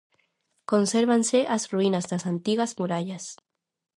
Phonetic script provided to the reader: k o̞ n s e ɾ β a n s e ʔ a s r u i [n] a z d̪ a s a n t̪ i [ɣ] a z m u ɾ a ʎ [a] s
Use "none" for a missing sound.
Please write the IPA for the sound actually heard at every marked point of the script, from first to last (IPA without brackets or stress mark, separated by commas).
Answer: n, ɣ, a